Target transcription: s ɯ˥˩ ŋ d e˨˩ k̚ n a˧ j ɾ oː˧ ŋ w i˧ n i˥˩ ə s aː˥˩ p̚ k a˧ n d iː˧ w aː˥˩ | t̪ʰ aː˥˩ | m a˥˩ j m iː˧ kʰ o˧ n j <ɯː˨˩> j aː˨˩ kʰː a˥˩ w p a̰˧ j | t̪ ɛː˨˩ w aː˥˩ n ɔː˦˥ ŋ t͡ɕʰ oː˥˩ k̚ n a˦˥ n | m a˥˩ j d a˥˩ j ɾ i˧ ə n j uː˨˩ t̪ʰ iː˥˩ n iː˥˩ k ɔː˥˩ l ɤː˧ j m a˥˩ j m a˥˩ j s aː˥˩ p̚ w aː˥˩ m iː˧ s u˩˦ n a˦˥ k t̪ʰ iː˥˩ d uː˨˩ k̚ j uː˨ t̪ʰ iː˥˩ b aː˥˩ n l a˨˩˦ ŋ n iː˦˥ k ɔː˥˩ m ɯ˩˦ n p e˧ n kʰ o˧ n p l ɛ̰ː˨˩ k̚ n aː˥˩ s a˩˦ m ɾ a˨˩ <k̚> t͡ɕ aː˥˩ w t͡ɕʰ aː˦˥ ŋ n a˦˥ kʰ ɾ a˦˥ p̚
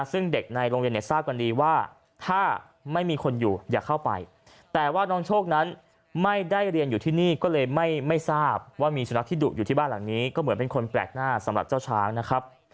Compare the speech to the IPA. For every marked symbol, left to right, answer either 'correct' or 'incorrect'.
incorrect: uː˨˩, incorrect: p̚

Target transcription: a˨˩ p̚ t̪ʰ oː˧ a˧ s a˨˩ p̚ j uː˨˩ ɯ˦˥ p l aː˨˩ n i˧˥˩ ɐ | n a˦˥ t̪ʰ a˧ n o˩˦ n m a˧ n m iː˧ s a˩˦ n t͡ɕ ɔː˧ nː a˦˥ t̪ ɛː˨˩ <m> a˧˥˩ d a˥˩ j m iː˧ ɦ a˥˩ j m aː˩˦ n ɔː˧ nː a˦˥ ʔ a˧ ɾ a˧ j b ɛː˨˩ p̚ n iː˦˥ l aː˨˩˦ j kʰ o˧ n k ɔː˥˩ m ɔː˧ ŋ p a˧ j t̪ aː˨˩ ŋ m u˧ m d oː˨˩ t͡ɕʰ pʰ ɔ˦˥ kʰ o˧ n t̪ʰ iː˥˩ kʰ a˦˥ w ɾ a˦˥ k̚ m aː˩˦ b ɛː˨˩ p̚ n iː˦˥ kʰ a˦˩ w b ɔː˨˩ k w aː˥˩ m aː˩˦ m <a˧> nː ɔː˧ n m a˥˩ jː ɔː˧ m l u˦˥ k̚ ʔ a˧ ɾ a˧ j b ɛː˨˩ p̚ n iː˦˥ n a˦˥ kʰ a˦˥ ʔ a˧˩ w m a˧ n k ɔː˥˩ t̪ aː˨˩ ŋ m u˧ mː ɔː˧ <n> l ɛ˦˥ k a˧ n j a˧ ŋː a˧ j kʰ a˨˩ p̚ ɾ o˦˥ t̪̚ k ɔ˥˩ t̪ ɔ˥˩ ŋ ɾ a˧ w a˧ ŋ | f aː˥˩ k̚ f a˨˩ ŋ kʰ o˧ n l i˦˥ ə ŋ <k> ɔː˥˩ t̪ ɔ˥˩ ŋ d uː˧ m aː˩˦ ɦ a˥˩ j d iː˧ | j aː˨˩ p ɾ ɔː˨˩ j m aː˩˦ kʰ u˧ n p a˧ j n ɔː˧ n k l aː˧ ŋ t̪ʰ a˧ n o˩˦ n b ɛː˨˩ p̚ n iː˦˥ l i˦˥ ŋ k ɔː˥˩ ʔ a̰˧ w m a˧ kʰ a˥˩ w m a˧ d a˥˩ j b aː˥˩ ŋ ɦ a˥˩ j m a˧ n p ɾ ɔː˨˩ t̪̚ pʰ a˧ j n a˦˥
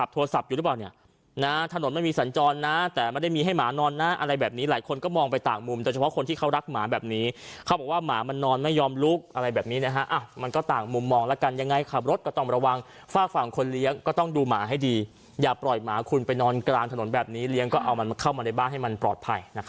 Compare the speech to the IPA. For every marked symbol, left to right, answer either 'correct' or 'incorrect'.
correct, correct, incorrect: ŋ, correct

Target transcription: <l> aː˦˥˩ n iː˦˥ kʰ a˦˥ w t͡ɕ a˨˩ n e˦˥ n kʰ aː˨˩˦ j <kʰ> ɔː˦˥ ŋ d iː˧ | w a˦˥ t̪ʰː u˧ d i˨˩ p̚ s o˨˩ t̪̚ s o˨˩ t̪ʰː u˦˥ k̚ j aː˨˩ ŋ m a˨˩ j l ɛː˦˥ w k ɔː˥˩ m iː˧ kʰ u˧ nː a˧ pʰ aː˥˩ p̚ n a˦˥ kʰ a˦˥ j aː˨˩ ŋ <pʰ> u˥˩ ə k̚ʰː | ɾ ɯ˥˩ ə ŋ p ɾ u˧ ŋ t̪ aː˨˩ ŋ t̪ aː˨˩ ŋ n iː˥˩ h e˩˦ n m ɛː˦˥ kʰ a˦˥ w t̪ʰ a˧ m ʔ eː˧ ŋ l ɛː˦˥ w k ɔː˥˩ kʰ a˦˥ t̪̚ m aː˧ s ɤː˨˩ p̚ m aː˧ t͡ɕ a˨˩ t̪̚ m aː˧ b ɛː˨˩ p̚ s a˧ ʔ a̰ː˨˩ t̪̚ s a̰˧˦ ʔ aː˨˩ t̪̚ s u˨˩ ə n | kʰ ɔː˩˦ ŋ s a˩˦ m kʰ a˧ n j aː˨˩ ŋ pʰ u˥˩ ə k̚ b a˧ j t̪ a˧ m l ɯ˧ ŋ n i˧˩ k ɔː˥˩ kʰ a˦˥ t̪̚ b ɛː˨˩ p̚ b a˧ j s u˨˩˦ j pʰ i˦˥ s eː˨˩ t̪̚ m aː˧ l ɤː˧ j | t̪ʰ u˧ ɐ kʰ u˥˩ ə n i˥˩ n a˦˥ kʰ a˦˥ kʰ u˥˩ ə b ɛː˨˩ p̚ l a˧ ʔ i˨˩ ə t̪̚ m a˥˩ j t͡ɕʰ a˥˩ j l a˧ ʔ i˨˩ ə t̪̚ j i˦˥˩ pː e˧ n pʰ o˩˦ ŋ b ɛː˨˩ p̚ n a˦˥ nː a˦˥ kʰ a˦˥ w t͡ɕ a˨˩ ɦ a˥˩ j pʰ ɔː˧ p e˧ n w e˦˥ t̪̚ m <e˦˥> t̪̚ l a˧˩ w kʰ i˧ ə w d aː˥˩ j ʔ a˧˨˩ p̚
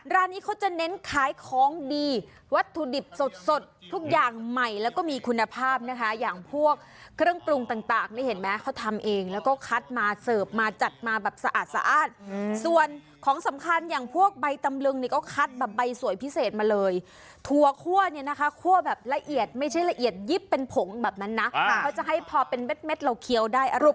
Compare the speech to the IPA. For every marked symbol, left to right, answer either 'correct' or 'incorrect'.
incorrect: ɾ, correct, correct, correct

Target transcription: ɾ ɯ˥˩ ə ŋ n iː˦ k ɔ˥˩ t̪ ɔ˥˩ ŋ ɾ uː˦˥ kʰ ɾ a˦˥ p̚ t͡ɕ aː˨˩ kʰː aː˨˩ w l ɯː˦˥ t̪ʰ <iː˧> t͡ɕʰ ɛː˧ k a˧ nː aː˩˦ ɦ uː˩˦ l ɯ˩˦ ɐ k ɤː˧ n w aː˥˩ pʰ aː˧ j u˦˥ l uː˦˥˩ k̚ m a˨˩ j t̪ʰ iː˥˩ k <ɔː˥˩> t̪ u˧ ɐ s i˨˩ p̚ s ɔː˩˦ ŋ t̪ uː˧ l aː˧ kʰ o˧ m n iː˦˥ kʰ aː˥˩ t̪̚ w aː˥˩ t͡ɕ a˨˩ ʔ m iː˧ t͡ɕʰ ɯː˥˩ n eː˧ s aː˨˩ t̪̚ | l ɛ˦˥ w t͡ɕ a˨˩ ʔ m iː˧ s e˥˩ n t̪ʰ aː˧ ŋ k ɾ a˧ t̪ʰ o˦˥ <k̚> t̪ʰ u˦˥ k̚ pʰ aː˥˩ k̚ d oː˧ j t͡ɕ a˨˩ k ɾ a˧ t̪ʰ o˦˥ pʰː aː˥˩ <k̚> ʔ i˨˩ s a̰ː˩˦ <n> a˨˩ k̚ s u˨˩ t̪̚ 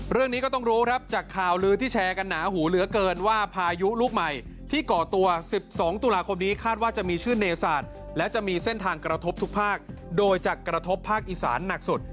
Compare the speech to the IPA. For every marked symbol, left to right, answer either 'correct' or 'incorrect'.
incorrect: iː˥˩, incorrect: ɔː˨˩, incorrect: p̚, correct, incorrect: nː

